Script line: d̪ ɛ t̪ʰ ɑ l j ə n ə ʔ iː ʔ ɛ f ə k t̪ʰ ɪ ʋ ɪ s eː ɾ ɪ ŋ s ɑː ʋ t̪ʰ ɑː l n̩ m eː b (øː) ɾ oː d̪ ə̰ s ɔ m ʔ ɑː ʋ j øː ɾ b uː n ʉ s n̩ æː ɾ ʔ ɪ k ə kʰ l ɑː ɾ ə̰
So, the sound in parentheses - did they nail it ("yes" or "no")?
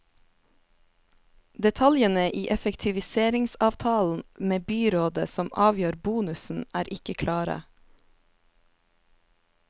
no